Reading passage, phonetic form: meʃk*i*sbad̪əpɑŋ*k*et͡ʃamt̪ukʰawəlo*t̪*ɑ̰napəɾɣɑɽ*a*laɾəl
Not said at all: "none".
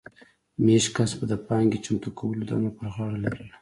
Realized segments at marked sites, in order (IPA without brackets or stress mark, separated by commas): a, ɡ, d̪, a